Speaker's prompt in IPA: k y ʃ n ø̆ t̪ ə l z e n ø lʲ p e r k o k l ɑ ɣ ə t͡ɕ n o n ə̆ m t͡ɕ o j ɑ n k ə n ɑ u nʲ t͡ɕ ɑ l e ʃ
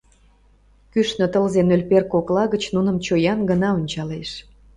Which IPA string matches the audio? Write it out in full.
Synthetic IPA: k y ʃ n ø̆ t̪ ə l z e n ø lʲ p e r k o k l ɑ ɣ ə t͡ɕ n u n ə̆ m t͡ɕ o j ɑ n ɡ ə n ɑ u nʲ t͡ɕ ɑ l e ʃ

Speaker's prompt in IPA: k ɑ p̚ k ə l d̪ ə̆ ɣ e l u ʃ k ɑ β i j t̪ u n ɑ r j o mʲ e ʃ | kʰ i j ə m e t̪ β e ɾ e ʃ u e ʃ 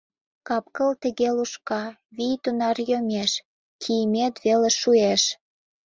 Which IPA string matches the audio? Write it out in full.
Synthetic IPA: k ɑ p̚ k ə l t̪ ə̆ ɣ e l u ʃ k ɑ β i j t̪ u n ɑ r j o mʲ e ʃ | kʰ i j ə m e t̪ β e l e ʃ u e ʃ

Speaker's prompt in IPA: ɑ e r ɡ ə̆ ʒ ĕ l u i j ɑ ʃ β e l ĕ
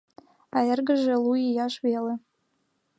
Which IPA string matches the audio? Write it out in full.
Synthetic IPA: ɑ e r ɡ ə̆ ʒ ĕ l u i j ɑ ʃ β e l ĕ

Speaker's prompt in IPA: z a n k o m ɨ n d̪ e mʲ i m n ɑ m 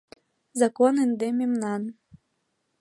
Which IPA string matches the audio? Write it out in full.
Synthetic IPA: z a k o n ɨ n d̪ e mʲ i m n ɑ n

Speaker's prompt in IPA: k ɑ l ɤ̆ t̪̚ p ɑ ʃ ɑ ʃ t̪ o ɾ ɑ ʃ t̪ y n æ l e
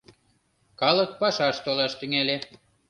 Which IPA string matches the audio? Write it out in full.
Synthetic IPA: k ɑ l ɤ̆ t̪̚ p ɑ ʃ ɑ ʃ t̪ o l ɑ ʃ t̪ y ŋ æ l e

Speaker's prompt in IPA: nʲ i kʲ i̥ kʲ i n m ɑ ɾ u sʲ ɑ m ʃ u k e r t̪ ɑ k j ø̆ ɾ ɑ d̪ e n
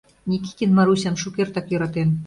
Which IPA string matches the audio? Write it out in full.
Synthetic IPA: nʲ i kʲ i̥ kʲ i n m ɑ ɾ u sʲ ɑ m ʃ u k e r t̪ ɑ k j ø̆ ɾ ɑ t̪ e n

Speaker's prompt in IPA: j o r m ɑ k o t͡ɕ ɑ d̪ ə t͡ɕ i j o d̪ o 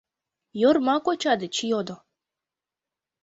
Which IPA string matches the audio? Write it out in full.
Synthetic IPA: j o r m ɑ k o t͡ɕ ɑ d̪ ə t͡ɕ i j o d̪ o

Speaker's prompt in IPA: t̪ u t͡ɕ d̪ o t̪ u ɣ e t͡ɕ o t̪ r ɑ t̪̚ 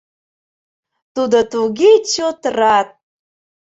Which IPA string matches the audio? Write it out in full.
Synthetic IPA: t̪ u d̪ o t̪ u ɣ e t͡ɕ o t̪ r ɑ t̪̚

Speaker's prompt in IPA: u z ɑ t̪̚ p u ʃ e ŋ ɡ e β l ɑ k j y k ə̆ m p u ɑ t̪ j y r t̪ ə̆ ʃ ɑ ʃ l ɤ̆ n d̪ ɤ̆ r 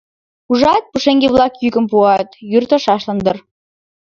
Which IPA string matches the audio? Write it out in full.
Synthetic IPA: u ʒ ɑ t̪̚ p u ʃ e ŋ ɡ e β l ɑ k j y k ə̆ m p u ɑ t̪ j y r t̪ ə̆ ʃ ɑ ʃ l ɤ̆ n d̪ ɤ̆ r

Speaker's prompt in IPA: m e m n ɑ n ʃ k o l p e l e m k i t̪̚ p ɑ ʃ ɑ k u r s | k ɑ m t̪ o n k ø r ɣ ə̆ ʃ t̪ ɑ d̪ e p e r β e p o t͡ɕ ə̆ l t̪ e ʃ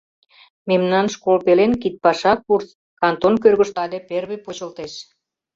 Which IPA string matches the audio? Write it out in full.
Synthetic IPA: m e m n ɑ n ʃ k o l p e l e n k i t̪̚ p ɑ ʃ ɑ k u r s | k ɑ n t̪ o n k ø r ɣ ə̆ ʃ t̪ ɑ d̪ e p e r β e p o t͡ɕ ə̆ l t̪ e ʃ

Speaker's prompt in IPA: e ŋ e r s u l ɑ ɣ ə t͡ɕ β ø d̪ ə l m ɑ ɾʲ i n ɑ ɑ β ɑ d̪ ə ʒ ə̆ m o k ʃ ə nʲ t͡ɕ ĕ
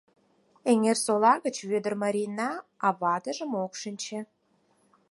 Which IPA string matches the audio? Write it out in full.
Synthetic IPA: e ŋ e r s o l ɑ ɣ ə t͡ɕ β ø d̪ ə r m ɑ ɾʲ i n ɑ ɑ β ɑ d̪ ə ʒ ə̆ m o k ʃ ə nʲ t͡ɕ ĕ

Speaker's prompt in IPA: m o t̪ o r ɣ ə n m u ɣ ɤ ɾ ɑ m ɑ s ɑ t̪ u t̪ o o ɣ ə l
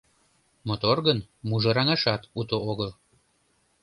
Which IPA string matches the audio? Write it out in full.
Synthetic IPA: m o t̪ o r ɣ ə n m u ʒ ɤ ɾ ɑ ŋ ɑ ʃ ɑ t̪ u t̪ o o ɣ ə l

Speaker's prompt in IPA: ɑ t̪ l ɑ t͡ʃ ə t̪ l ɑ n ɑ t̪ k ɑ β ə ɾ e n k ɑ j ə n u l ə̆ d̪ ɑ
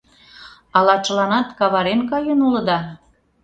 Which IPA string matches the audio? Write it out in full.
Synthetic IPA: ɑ l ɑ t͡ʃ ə l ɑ n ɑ t̪ k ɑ β ɑ ɾ e n k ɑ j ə n u l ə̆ d̪ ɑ

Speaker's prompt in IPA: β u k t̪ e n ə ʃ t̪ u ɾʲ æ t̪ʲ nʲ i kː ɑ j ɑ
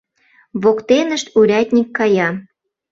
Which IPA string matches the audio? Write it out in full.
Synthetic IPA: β o k t̪ e n ə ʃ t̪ u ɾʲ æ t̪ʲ nʲ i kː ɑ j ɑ

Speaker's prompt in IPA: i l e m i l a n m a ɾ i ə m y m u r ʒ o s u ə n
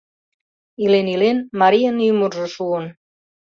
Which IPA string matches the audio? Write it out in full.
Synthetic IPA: i l e n i l e n m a ɾ i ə n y m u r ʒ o ʃ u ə n

